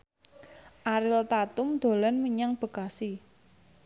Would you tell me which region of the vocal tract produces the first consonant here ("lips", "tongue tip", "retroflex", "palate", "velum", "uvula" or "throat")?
throat